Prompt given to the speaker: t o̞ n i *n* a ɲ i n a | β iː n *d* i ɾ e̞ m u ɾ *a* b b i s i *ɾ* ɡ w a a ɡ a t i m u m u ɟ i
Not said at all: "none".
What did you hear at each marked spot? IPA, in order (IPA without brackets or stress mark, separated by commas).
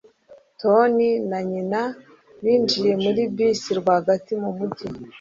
n, d͡ʒ, i, ɾ